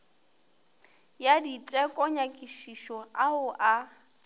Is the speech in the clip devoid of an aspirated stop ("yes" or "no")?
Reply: yes